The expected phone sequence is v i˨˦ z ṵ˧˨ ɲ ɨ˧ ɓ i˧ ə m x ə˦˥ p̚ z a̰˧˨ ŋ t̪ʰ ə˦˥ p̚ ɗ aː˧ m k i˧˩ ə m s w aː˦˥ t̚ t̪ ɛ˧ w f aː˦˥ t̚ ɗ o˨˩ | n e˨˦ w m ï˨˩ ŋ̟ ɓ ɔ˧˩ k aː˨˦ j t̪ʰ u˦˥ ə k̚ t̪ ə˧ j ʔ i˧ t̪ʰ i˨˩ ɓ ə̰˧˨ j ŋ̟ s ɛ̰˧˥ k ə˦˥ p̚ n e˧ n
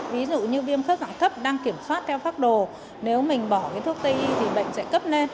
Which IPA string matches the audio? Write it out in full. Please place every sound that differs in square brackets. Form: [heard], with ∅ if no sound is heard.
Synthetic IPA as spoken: v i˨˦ z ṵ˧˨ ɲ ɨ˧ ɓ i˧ ə m x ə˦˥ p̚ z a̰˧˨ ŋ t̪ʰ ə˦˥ p̚ ɗ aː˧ [ŋ] k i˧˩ ə m s w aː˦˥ t̚ [t̪ʰ] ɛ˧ w f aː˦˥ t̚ ɗ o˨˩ | n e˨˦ w m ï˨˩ ŋ̟ ɓ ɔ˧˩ k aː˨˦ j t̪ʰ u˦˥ ə k̚ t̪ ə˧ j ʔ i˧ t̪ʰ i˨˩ ɓ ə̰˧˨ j ŋ̟ s ɛ̰˧˥ k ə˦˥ p̚ n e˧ n